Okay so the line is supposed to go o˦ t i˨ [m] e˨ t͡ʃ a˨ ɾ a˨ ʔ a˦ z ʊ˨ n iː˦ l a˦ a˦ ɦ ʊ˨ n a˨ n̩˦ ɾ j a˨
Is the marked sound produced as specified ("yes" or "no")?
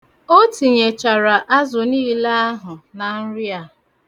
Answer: no